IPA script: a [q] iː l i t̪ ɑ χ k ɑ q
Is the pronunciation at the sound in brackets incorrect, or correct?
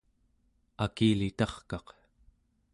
incorrect